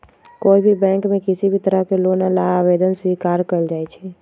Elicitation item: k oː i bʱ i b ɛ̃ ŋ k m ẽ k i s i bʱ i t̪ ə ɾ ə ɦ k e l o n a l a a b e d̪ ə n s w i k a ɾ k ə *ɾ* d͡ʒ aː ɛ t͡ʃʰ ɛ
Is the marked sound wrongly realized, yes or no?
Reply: yes